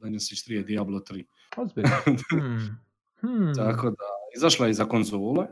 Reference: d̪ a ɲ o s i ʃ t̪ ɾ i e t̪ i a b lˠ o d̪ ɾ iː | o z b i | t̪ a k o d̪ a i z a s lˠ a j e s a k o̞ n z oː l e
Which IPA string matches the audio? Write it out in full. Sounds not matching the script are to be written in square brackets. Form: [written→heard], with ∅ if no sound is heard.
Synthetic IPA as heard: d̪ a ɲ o s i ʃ t̪ ɾ i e [t̪→d̪] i a b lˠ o [d̪→t̪] ɾ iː | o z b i | t̪ a k o d̪ a i z a [s→ʃ] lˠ a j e [s→z] a k o̞ n z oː l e